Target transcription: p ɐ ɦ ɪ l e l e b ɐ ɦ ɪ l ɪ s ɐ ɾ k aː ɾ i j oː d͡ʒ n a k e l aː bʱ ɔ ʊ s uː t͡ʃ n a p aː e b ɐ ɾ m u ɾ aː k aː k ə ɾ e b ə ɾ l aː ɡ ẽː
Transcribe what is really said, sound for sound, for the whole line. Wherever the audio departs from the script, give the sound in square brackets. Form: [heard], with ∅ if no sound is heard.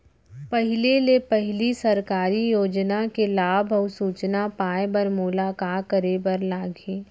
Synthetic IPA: p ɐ ɦ ɪ l e l e [p] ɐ ɦ ɪ l [i] s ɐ ɾ k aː ɾ i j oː d͡ʒ n a k e l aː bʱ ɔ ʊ s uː t͡ʃ n a p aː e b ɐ ɾ m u [l] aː k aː k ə ɾ e b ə ɾ l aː ɡ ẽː